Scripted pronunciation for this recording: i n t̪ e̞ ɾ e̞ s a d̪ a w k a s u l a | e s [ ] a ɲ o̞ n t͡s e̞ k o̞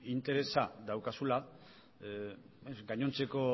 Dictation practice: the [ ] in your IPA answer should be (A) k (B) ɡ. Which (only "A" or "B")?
B